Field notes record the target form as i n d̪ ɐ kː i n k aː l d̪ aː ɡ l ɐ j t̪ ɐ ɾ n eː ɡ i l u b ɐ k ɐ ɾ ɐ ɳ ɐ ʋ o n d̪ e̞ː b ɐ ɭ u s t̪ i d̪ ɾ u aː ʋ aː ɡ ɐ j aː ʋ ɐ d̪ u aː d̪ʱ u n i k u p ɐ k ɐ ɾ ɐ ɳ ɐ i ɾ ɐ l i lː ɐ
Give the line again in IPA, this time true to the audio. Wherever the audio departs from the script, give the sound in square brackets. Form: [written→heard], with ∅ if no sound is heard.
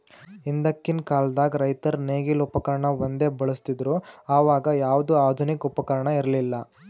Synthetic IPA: i n d̪ ɐ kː i n k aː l d̪ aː ɡ [l→ɾ] ɐ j t̪ ɐ ɾ n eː ɡ i l u [b→p] ɐ k ɐ ɾ ɐ ɳ ɐ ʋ o n d̪ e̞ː b ɐ ɭ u s t̪ i d̪ ɾ u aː ʋ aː ɡ ɐ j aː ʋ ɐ d̪ u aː d̪ʱ u n i k u p ɐ k ɐ ɾ ɐ ɳ ɐ i ɾ ɐ l i lː ɐ